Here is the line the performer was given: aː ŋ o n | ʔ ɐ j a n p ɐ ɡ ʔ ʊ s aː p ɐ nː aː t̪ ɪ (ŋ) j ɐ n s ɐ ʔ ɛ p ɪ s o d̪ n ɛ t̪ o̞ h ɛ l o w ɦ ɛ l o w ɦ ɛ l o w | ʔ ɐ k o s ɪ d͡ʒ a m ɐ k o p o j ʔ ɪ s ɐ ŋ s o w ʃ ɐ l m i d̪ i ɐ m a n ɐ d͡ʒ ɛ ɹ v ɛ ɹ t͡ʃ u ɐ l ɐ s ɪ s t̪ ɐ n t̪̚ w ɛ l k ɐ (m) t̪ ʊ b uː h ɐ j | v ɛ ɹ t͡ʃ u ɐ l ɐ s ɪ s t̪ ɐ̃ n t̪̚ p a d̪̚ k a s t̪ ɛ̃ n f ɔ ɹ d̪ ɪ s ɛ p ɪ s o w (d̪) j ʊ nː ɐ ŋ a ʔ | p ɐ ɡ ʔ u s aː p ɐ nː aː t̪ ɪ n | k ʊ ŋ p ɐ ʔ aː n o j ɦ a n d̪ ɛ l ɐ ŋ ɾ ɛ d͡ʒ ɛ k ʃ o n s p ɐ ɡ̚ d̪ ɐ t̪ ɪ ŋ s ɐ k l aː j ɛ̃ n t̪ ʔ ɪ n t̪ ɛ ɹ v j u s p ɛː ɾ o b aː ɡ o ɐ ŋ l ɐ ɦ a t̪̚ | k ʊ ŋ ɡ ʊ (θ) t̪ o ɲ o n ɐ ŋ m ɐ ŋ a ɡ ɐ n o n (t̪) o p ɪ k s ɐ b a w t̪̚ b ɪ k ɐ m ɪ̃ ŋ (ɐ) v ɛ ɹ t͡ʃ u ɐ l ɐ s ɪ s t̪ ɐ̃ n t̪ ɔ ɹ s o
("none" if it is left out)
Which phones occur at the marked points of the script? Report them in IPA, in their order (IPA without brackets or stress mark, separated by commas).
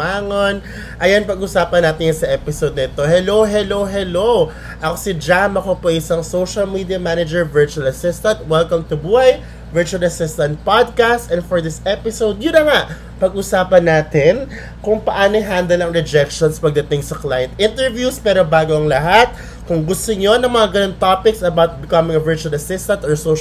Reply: n, m, d̪, s, t̪, ɐ